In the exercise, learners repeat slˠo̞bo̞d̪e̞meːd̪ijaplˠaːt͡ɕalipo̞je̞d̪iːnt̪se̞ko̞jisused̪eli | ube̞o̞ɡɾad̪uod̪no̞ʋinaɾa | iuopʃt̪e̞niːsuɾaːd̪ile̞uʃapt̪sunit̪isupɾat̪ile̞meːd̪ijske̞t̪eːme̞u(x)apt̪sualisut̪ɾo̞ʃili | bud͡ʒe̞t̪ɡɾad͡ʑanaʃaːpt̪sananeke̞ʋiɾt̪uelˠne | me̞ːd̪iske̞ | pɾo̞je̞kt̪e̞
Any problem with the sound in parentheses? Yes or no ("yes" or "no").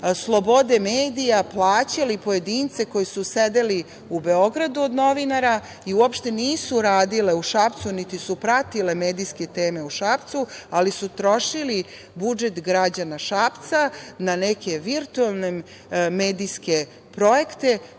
yes